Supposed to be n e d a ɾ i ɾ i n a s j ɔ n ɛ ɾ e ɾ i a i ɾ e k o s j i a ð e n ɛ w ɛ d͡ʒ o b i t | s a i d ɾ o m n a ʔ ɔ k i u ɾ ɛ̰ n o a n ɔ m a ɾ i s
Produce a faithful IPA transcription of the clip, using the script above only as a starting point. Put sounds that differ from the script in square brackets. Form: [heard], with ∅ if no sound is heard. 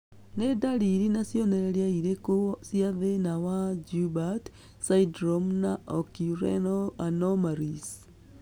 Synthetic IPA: n e d a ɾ i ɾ i n a s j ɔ n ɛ ɾ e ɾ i a i ɾ e k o s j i a ð e n [a] w [a] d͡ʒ [u] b [a] t | s a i d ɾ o m n a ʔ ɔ k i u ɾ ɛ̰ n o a n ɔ m a ɾ i s